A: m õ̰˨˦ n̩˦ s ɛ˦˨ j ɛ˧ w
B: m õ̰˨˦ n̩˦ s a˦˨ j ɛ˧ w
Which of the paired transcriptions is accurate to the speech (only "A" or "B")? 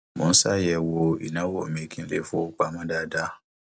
B